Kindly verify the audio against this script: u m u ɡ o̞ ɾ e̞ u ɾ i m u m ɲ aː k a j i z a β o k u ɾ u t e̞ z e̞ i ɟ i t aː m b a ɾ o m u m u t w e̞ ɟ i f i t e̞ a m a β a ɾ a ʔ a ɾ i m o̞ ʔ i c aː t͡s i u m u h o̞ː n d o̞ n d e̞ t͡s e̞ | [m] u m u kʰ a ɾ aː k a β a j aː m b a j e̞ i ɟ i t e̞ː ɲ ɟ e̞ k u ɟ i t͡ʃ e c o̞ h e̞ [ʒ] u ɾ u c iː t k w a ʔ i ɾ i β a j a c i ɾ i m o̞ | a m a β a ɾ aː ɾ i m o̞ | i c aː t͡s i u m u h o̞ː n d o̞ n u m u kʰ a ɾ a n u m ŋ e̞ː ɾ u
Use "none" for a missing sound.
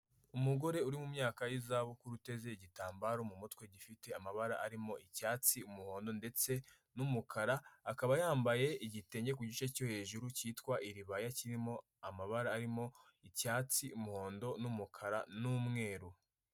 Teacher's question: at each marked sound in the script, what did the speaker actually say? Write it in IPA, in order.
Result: n, ʒ

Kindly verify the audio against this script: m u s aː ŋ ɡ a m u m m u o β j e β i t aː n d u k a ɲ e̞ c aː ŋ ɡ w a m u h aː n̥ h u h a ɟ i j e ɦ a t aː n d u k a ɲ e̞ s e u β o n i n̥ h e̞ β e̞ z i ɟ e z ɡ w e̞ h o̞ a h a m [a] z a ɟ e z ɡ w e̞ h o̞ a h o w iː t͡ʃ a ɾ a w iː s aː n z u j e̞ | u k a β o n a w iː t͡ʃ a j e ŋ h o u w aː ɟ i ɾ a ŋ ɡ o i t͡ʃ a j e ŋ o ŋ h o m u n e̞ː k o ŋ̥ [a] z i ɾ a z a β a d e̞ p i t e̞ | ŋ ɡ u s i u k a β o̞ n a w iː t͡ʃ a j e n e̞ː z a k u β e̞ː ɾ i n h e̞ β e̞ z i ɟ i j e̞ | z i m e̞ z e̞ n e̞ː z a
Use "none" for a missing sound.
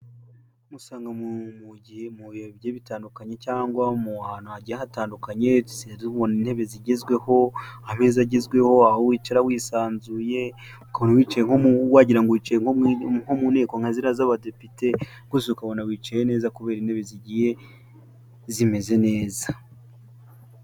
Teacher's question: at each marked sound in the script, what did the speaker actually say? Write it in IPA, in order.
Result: e, a

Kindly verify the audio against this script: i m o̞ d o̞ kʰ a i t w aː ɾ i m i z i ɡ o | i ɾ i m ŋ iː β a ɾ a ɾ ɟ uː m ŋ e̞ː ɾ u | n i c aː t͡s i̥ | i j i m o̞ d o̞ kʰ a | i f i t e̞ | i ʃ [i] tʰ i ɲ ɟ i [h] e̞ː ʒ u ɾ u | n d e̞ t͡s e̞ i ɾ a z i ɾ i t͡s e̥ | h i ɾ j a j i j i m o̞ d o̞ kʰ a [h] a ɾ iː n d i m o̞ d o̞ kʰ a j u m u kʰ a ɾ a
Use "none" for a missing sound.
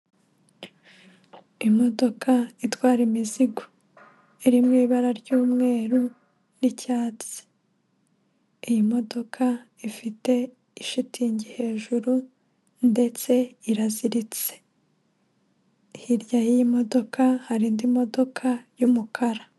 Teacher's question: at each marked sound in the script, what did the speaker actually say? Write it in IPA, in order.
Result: i, h, h

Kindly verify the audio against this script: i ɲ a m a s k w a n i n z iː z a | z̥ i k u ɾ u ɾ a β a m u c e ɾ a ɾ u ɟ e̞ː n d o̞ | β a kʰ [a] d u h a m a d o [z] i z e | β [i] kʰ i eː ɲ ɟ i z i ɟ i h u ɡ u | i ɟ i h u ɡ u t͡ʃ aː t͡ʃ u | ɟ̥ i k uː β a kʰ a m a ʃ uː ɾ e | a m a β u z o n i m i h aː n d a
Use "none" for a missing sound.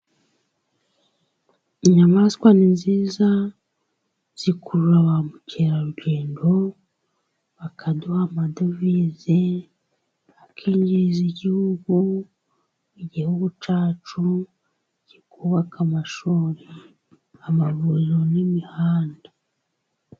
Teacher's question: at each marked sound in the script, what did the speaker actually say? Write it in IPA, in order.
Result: a, v, a

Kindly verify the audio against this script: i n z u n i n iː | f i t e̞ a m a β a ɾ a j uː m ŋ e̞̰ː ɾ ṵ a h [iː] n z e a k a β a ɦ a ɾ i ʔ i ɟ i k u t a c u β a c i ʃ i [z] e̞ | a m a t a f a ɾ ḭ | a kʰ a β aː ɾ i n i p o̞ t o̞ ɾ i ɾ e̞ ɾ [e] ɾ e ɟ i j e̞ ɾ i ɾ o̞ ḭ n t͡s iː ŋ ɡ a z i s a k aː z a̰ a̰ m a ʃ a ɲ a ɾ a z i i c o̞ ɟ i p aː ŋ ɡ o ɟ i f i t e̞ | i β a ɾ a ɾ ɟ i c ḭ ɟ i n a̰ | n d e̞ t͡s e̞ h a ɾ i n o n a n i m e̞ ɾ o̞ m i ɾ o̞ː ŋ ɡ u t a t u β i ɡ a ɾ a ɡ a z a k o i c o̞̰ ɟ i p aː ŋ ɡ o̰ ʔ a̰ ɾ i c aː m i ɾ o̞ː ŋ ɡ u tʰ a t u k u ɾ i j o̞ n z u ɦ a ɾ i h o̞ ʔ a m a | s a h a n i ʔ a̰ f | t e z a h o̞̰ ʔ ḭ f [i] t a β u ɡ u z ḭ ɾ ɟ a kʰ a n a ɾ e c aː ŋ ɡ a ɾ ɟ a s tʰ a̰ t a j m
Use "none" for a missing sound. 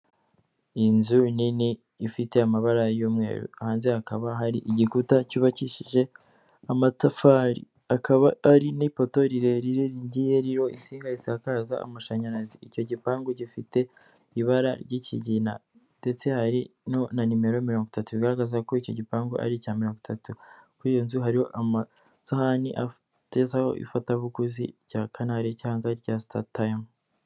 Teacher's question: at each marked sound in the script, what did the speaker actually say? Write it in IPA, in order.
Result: aː, ʒ, i, a

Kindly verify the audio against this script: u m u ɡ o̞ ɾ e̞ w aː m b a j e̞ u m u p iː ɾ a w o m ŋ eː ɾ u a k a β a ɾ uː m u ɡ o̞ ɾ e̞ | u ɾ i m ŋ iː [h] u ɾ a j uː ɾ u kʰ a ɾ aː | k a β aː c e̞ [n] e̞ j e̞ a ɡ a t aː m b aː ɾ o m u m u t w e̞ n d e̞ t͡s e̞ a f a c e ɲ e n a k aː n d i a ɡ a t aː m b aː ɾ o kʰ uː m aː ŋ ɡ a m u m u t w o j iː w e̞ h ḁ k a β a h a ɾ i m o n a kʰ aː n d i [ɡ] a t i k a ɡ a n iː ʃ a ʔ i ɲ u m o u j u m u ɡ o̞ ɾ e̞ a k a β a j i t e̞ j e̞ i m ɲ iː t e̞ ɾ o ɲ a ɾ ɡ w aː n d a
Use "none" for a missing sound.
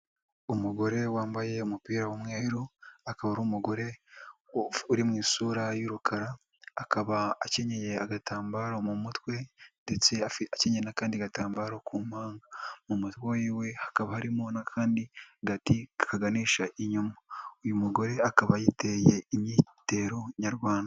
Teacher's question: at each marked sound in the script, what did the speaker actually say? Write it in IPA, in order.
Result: s, ɲ, ɡ

